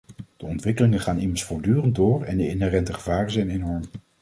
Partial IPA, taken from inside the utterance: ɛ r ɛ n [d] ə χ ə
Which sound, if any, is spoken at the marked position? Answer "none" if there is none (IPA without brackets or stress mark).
t